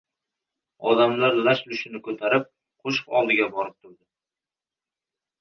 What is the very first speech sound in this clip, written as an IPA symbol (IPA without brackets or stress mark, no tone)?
ɒ